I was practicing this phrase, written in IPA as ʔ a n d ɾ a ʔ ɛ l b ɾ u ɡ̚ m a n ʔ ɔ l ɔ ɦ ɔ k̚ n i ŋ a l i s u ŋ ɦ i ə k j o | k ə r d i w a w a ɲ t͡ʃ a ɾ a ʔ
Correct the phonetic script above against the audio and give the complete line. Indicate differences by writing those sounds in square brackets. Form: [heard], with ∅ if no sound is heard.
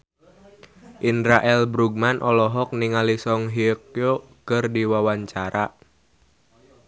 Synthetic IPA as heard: ʔ [i] n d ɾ a ʔ ɛ l b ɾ u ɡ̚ m a n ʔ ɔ l ɔ ɦ ɔ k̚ n i ŋ a l i s [ɔ] ŋ ɦ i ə k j o | k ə r d i w a w a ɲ t͡ʃ a ɾ a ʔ